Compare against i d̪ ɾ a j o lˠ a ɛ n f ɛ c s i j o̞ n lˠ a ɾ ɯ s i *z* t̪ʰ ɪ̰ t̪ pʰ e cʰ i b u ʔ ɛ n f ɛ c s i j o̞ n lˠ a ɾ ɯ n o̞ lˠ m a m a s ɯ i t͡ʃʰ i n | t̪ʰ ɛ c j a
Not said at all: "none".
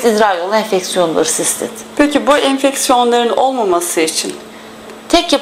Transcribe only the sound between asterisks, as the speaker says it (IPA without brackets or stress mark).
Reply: s